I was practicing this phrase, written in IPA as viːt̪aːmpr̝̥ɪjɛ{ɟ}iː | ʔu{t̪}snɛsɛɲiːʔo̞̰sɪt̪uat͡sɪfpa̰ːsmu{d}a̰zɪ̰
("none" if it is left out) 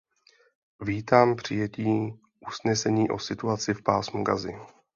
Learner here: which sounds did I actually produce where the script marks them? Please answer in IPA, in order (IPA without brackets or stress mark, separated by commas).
c, none, ɡ